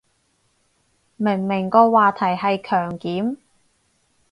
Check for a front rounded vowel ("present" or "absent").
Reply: present